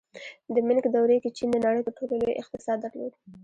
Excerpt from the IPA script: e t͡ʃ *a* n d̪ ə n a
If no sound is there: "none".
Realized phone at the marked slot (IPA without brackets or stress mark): i